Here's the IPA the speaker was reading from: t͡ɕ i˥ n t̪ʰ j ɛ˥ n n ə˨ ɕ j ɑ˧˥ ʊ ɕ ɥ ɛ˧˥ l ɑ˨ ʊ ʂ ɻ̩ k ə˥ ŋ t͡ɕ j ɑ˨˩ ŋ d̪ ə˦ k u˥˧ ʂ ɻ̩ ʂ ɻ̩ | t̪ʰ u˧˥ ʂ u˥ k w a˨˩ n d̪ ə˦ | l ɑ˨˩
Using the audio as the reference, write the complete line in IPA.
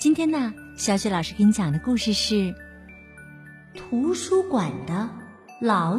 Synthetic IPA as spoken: t͡ɕ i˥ n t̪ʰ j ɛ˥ n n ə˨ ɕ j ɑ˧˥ ʊ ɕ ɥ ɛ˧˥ l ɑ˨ ʊ ʂ ɻ̩ k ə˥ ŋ t͡ɕ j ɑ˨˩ ŋ d̪ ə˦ k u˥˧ ʂ ɻ̩ ʂ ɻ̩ | t̪ʰ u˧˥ ʂ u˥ k w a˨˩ n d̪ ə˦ | l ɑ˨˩